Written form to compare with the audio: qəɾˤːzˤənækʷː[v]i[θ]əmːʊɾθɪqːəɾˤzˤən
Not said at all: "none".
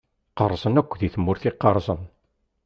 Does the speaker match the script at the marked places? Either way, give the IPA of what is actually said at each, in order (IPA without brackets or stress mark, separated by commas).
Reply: ð, θ